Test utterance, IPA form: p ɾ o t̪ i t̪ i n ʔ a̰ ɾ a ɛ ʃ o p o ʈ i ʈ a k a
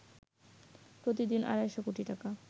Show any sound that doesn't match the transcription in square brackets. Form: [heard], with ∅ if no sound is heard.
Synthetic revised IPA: p ɾ o t̪ i [d̪] i n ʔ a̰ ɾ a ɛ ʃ o [k] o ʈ i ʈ a k a

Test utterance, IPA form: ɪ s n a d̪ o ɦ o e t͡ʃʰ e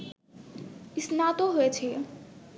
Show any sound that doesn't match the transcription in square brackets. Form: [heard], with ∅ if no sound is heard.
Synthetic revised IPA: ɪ s n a [t̪] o ɦ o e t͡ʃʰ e

